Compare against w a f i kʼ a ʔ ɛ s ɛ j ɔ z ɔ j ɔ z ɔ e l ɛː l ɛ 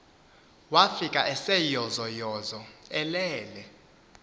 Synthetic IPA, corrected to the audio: w a f i kʼ a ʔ ɛ s ɛ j ɔ z ɔ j ɔ z ɔ ɛ l ɛː l ɛ